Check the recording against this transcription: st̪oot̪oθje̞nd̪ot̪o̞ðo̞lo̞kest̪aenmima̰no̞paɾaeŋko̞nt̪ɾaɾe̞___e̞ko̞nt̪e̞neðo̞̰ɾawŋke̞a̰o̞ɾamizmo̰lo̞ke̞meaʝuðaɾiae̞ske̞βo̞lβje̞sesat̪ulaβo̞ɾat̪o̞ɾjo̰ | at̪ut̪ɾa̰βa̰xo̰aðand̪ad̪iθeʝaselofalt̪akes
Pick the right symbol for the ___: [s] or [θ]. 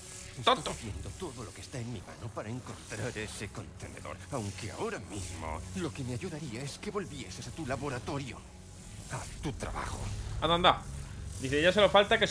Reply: s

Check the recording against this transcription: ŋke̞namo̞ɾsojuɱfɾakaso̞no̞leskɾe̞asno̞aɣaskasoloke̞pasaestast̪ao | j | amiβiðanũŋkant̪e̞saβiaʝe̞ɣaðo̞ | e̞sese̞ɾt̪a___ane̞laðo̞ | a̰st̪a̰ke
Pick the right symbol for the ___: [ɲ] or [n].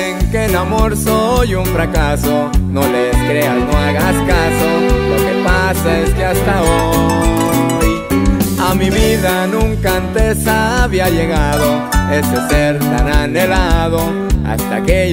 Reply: n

